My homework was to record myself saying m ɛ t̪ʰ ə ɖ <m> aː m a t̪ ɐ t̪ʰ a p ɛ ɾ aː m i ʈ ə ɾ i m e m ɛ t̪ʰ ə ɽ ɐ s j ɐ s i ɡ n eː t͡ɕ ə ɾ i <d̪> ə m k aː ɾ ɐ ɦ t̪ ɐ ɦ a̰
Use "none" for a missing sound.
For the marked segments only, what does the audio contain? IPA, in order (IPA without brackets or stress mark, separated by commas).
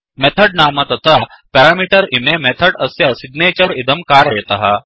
n, d̪